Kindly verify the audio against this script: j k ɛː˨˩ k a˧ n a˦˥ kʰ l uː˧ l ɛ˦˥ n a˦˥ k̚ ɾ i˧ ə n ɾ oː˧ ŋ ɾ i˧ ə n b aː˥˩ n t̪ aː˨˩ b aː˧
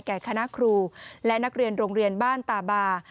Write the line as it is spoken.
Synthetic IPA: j k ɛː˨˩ kʰ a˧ n a˦˥ kʰ ɾ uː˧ l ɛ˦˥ n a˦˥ k̚ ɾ i˧ ə n ɾ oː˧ ŋ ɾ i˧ ə n b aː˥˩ n t̪ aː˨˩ b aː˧